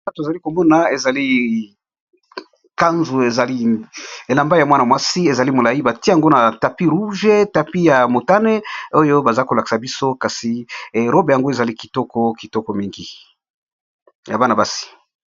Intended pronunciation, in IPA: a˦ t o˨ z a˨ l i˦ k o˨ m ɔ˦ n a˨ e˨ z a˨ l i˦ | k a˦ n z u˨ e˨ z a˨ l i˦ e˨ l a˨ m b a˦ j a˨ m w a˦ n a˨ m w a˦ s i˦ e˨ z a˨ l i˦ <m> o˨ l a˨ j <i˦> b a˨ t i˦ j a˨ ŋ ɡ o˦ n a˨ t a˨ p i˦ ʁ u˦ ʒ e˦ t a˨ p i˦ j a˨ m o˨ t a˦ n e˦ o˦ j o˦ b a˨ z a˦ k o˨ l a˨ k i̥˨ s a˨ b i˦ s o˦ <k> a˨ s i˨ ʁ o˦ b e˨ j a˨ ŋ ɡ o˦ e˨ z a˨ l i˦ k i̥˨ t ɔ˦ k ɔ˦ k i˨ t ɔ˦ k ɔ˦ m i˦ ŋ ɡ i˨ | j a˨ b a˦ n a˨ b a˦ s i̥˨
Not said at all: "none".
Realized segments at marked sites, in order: m, i˦, k

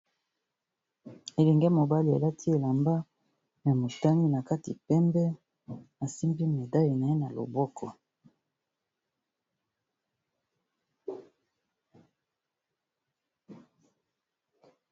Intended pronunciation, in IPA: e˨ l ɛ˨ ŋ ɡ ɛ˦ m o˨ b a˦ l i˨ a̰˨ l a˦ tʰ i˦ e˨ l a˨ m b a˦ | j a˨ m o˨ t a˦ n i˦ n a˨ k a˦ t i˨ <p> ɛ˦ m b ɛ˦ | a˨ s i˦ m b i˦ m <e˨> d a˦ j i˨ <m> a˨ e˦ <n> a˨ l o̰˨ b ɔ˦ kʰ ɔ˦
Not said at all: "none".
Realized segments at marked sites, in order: p, e˨, n, n

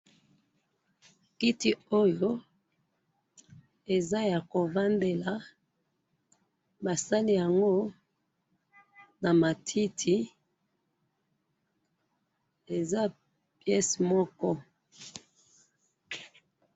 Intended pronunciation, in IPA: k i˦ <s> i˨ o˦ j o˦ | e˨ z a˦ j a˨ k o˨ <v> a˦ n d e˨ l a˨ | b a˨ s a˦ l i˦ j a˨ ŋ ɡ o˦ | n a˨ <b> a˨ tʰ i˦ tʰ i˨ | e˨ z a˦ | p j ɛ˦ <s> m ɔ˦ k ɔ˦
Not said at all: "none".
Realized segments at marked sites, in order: t, v, m, s

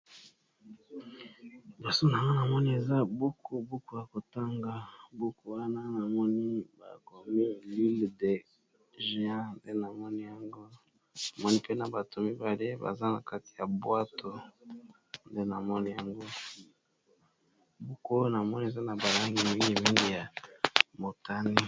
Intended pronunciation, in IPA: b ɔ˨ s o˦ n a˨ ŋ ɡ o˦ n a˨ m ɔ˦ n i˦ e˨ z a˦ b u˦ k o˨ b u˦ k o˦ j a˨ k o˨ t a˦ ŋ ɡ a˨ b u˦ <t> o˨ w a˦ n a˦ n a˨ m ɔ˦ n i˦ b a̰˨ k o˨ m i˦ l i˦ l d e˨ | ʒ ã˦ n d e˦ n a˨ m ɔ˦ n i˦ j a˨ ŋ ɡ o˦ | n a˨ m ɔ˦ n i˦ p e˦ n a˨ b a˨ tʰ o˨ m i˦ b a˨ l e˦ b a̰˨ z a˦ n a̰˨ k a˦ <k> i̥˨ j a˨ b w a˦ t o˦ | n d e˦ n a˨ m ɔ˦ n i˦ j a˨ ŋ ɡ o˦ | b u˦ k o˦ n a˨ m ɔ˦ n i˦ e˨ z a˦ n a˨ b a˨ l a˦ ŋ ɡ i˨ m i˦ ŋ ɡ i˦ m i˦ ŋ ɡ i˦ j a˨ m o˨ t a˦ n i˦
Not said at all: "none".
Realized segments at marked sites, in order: k, t

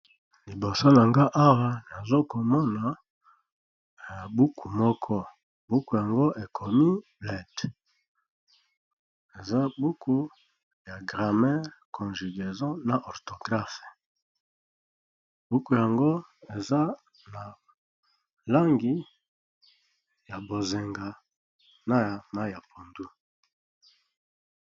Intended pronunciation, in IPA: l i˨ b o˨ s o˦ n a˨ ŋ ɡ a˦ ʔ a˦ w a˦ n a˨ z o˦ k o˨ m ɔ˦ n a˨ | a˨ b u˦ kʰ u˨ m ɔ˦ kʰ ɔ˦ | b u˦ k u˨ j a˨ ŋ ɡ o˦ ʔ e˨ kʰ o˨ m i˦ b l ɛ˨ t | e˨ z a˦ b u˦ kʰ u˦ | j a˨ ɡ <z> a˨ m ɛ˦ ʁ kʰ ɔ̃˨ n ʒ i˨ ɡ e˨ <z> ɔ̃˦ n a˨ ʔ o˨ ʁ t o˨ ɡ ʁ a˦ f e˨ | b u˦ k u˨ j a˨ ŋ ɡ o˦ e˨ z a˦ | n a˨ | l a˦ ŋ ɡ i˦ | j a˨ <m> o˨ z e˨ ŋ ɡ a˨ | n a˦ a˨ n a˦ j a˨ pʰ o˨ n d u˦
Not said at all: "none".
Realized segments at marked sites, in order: ʁ, z, b

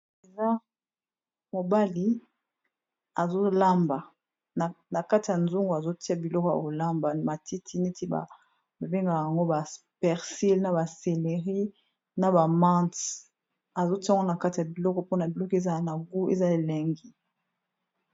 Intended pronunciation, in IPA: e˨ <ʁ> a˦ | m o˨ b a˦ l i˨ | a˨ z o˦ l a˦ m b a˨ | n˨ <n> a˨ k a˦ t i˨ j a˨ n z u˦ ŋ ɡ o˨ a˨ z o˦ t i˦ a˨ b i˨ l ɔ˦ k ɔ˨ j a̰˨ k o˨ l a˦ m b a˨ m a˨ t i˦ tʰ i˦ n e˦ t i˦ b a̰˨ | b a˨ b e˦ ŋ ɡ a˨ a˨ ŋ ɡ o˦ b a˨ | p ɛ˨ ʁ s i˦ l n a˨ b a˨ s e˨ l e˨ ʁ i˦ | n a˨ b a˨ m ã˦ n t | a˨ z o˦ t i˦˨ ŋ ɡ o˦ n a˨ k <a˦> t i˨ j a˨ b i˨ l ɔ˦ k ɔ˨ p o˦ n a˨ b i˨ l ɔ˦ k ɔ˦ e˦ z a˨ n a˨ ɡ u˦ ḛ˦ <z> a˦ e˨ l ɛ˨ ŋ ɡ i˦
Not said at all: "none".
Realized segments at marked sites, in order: z, n, a˦, z

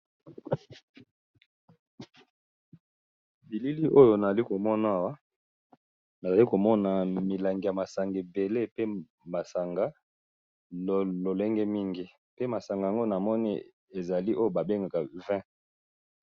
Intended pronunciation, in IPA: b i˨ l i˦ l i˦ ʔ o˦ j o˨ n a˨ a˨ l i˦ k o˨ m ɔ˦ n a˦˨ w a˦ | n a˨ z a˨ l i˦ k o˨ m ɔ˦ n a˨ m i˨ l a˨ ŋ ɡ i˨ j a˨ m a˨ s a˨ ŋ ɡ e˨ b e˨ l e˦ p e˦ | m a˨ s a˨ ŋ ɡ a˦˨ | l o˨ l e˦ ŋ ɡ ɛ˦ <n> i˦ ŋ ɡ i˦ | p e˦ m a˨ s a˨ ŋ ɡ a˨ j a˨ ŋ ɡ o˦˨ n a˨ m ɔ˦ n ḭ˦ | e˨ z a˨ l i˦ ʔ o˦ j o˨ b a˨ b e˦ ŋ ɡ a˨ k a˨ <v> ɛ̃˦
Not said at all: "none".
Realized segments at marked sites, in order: m, v

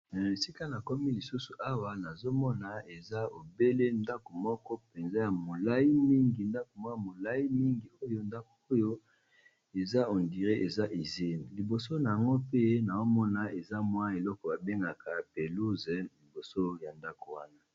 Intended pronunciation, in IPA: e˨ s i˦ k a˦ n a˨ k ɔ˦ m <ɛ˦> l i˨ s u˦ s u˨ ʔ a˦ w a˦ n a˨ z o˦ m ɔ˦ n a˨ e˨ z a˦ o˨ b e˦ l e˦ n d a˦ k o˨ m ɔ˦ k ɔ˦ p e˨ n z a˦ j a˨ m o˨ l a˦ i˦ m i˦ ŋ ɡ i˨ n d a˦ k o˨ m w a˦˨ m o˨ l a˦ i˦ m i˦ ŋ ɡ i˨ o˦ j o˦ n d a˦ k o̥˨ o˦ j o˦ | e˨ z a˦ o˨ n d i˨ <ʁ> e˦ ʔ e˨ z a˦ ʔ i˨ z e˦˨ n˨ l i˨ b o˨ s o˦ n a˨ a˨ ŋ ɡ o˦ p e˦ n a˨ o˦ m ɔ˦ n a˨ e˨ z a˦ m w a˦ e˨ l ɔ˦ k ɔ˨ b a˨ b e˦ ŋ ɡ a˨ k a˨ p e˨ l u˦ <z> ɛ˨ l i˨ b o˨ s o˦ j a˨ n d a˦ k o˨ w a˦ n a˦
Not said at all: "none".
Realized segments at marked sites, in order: i˦, ʁ, z

